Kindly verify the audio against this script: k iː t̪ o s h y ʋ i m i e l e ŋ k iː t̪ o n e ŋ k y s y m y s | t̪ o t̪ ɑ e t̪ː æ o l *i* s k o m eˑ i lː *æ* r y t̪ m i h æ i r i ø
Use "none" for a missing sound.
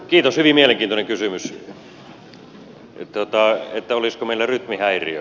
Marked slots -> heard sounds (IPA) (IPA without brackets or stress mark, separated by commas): i, æ